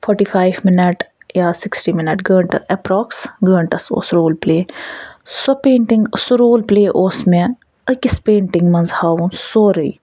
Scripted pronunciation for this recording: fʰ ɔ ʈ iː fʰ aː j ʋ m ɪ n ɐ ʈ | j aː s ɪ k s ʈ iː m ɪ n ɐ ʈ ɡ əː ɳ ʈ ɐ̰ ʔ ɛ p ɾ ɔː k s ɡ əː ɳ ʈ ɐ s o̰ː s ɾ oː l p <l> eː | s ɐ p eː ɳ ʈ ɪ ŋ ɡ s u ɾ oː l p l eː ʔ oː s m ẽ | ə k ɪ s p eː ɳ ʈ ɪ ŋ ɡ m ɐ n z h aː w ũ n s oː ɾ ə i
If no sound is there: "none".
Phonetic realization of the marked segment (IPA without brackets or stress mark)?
l